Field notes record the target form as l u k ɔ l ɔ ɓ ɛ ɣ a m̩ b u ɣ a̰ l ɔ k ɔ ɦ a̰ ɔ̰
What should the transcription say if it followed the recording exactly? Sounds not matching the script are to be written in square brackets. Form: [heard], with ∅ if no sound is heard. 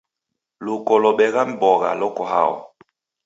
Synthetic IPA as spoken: l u k ɔ l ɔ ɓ ɛ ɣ a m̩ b [ɔ] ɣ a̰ l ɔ k ɔ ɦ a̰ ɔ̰